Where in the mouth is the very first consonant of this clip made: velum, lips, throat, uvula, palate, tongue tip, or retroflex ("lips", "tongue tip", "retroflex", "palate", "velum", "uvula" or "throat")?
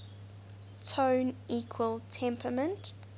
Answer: tongue tip